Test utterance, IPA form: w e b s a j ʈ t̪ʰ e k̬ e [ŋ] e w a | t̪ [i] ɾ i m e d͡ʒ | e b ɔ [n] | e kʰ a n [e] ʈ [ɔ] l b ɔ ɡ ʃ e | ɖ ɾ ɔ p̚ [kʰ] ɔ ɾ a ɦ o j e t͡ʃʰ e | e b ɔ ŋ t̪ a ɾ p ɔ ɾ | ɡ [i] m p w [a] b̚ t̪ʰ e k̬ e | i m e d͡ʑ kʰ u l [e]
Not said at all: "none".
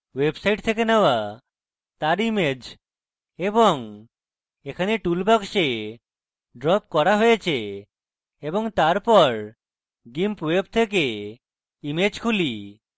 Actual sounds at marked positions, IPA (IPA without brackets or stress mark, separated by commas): n, a, ŋ, e, u, k, i, e, i